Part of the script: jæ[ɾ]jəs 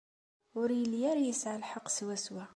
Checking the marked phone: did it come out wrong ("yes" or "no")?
no